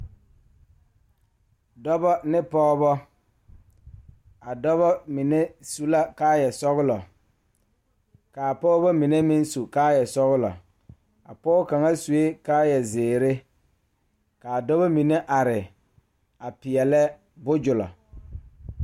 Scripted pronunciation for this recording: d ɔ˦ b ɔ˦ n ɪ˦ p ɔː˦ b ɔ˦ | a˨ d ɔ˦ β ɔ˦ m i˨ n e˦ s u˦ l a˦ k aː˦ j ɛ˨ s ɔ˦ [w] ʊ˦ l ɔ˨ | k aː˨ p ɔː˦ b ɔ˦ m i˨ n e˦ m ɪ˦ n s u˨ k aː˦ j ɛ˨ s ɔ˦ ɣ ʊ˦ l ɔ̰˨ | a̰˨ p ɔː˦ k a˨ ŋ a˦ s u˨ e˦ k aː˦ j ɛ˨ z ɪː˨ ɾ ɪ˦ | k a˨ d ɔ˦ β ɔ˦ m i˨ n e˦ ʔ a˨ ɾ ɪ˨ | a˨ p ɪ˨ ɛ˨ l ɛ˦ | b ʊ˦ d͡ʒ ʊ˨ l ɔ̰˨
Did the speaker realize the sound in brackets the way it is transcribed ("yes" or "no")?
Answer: no